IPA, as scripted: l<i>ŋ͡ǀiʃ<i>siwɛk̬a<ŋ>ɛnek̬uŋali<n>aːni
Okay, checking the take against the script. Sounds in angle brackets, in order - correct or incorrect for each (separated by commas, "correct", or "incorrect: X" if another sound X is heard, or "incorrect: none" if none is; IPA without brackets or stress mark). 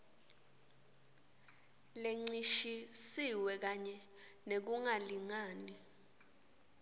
incorrect: e, correct, incorrect: ɲ, incorrect: ŋ